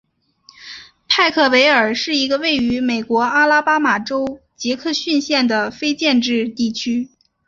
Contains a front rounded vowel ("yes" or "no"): yes